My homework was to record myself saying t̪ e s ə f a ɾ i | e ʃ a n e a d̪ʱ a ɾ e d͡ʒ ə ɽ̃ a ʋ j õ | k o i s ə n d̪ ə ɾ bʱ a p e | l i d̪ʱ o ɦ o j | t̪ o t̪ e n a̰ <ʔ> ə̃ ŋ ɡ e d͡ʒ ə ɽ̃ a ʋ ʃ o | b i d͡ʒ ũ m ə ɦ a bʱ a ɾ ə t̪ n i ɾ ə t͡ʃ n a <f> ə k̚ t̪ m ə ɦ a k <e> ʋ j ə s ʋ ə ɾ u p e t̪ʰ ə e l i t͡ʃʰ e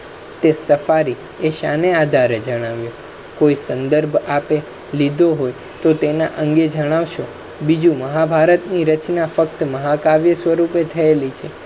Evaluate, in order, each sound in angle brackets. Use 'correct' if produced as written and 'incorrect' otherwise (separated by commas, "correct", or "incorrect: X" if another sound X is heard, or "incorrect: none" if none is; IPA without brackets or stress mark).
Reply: correct, correct, incorrect: a